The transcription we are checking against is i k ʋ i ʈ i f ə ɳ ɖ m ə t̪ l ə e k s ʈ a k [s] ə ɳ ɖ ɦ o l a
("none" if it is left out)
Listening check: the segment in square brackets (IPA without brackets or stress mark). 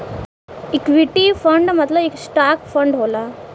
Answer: f